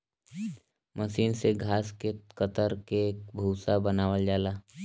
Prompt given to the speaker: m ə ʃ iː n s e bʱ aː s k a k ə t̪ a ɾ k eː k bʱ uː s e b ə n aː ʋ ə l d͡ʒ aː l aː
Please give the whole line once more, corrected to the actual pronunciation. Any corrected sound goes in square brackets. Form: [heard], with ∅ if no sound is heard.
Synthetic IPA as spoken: m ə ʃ iː n s e [ɡʱ] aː s k [e] k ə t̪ [ə] ɾ k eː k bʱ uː s [a] b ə n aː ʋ ə l d͡ʒ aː l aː